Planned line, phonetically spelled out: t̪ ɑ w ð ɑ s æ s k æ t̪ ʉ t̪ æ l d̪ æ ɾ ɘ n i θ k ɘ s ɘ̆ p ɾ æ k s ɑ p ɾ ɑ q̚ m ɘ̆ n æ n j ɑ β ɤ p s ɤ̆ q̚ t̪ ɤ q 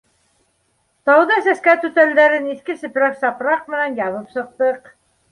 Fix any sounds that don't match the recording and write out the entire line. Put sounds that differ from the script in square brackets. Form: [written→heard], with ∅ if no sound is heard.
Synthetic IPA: t̪ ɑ w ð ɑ s æ s k æ t̪ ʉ t̪ æ l d̪ æ ɾ ɘ n i θ k ɘ s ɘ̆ p ɾ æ k s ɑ p ɾ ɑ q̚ m ɘ̆ n æ n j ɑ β ɤ p s ɤ̆ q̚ t̪ ɤ q